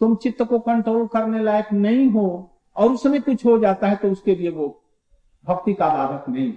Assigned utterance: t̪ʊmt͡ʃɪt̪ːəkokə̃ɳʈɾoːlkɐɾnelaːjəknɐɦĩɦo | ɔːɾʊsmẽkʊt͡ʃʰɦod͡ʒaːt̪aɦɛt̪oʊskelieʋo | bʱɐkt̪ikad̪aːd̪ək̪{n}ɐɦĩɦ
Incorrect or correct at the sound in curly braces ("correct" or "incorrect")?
correct